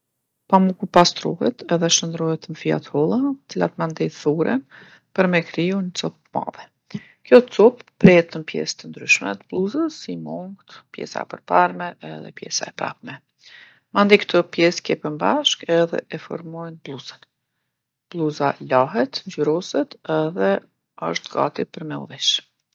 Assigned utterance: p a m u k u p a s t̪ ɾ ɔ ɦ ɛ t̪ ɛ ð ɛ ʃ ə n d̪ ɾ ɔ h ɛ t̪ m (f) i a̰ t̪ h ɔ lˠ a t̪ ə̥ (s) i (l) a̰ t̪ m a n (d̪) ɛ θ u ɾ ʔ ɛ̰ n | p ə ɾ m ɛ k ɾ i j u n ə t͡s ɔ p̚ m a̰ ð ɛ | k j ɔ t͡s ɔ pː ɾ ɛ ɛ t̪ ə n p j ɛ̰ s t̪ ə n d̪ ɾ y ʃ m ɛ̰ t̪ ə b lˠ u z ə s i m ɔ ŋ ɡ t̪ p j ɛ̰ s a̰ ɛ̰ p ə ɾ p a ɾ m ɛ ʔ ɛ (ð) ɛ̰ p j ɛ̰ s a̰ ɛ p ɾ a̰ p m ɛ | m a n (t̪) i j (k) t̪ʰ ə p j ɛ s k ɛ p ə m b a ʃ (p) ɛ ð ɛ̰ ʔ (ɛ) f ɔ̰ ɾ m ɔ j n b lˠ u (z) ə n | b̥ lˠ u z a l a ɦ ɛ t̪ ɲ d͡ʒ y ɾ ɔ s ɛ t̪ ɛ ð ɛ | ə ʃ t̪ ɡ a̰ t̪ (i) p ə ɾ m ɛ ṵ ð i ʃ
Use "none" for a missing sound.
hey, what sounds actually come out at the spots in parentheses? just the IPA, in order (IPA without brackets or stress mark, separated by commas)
f, t͡s, l, d̪, ð, d̪, k, k, ɛ, z, i